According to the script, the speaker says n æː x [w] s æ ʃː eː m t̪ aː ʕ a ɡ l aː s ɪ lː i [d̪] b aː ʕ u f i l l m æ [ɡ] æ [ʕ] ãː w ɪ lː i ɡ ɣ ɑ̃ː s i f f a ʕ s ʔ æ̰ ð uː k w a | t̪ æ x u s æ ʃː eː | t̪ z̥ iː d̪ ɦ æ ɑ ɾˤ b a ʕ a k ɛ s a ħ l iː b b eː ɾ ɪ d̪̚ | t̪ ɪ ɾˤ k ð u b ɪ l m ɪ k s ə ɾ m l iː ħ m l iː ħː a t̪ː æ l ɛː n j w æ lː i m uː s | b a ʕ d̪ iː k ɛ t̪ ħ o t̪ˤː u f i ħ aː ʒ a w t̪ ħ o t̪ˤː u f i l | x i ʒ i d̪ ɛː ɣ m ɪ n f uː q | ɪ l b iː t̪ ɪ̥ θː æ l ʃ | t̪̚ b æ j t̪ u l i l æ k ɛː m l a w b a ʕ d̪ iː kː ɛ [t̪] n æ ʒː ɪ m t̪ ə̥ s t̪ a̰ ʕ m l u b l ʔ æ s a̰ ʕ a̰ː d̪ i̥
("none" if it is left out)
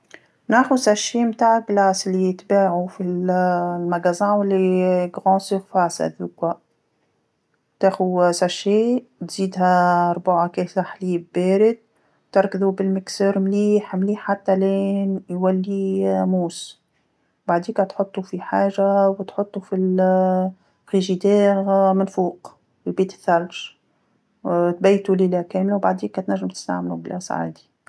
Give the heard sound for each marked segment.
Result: u, t̪, ɡ, z, t̪

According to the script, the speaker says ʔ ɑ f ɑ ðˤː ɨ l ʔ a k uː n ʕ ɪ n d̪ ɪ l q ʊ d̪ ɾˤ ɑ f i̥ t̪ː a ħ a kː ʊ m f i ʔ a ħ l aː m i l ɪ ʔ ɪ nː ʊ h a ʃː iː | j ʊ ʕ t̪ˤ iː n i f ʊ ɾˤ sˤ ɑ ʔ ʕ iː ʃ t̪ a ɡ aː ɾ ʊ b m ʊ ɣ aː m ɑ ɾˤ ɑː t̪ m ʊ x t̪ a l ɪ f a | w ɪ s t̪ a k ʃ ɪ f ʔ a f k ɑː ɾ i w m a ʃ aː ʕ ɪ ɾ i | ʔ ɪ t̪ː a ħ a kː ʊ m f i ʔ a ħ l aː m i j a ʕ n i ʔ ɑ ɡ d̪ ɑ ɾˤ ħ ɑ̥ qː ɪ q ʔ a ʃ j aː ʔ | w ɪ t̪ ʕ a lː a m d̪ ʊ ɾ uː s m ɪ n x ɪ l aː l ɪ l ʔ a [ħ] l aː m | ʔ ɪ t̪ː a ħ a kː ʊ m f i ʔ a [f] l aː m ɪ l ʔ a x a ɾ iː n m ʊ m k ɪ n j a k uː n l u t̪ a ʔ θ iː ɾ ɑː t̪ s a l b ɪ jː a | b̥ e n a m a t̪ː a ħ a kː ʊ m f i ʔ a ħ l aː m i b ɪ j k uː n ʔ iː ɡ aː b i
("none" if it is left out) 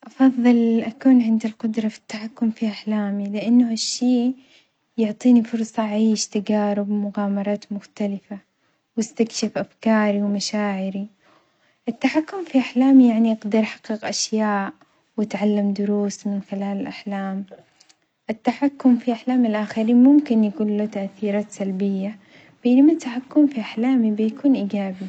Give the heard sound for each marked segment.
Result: ħ, ħ

